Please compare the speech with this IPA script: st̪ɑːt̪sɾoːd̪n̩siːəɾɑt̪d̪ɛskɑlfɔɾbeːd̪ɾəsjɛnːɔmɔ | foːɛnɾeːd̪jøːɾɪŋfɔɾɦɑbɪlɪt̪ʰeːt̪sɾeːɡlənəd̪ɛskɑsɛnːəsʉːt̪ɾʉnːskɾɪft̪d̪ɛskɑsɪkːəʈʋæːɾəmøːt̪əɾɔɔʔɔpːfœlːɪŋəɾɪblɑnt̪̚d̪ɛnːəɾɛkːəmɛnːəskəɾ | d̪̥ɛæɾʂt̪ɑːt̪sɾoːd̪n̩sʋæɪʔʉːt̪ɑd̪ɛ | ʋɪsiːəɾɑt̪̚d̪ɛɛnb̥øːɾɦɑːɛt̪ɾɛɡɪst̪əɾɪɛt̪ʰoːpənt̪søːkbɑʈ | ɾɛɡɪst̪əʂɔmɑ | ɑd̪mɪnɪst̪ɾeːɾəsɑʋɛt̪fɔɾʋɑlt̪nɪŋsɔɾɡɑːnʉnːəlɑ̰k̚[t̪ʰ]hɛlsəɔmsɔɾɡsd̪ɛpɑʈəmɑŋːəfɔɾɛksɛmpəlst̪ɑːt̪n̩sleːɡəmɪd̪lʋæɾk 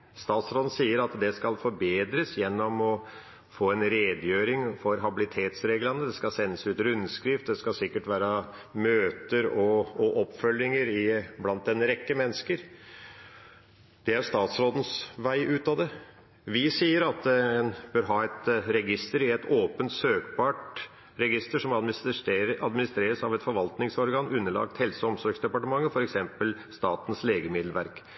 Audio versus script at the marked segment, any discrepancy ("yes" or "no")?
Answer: yes